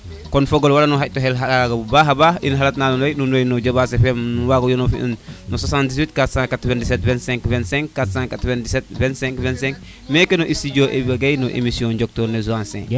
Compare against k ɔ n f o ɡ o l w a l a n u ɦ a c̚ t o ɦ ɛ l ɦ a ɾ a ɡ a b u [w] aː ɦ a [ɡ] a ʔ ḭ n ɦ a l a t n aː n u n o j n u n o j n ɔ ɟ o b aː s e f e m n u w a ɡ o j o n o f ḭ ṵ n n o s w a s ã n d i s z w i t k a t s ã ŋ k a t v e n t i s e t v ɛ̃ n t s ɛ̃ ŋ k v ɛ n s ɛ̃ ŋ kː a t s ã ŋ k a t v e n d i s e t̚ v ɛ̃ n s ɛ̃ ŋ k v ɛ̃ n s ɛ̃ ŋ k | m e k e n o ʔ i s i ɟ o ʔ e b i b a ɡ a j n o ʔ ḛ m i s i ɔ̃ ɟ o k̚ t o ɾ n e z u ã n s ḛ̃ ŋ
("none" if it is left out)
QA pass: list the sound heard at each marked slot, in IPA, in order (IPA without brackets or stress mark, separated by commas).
b, b